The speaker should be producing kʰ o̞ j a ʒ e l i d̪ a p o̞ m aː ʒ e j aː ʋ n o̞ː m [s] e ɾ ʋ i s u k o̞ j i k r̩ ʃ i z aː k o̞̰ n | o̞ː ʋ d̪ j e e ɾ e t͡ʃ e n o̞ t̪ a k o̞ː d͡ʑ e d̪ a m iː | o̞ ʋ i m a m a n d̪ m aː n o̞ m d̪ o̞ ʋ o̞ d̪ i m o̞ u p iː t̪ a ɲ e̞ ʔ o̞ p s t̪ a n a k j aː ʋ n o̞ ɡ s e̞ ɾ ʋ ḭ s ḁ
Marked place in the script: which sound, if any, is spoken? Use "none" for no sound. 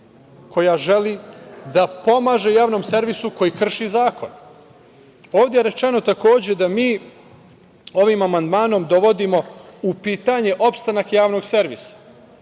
s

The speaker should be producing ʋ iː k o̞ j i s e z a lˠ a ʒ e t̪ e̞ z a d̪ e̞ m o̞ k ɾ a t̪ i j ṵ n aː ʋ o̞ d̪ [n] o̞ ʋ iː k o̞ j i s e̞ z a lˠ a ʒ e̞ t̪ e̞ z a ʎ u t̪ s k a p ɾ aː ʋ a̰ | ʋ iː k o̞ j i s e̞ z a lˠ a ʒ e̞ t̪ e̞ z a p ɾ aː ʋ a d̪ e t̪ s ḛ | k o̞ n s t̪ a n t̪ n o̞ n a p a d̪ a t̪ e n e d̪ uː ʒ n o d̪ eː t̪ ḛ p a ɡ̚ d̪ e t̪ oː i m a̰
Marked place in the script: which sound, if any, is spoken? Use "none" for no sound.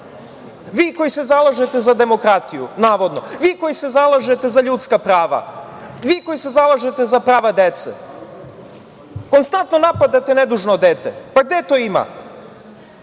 n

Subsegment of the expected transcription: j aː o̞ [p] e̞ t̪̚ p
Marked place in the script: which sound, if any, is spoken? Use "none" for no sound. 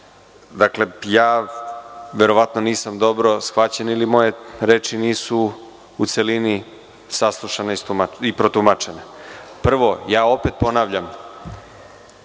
p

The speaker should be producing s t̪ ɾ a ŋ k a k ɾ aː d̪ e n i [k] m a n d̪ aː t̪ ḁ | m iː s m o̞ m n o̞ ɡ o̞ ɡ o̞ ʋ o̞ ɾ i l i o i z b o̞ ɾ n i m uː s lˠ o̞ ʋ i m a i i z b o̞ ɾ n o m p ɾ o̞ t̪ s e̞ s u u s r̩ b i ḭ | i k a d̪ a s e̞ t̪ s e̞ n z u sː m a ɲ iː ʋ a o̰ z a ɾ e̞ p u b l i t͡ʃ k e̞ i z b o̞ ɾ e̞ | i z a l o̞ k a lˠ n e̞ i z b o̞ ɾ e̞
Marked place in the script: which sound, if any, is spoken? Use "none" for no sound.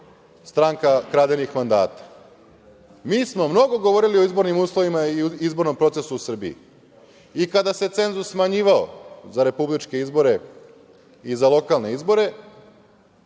x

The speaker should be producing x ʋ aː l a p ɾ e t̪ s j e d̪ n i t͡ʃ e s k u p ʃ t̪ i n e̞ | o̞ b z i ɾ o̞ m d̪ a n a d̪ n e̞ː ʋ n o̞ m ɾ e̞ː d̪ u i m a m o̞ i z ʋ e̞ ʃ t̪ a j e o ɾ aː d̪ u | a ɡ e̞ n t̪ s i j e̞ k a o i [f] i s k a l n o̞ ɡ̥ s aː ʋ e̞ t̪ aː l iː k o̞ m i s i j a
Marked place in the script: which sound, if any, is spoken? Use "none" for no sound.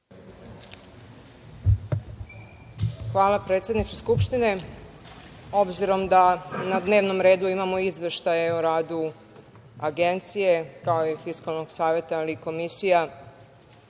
f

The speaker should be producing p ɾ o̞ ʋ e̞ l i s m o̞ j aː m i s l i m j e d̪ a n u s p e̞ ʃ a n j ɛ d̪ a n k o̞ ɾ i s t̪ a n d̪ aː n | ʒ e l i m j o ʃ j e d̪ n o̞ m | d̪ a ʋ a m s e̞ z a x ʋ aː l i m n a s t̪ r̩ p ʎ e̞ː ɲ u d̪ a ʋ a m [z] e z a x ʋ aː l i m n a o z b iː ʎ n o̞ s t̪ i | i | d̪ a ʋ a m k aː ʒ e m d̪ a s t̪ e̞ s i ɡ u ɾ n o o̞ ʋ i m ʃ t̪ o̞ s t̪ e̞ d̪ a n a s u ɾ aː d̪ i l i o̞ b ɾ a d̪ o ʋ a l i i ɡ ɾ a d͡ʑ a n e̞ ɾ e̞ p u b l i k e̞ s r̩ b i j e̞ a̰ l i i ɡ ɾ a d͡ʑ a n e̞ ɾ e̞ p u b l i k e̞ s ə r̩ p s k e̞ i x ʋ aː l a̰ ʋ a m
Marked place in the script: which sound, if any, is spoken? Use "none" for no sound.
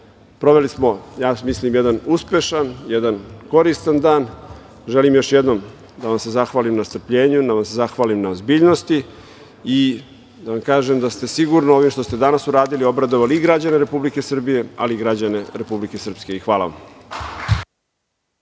s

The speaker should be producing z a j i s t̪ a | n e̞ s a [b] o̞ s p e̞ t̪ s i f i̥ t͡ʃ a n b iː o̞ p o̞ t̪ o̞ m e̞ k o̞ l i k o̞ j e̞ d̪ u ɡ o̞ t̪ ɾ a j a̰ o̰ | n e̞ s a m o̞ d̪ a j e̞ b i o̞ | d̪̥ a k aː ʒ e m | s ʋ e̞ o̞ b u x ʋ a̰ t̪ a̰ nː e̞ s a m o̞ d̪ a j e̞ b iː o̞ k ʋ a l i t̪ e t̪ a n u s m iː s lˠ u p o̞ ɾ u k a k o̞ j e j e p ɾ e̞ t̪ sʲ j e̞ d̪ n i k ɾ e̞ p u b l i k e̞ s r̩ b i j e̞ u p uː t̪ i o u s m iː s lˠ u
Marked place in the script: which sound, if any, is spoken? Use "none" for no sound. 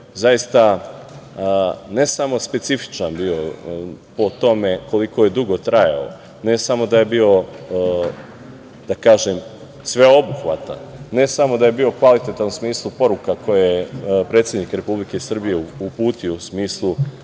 m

